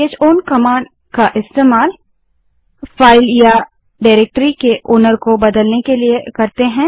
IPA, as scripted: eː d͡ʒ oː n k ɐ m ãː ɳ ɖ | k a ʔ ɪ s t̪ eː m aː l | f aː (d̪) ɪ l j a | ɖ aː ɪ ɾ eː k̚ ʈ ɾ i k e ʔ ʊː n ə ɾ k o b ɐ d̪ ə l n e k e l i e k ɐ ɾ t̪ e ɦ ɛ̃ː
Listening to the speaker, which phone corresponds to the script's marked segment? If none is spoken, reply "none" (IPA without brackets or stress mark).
none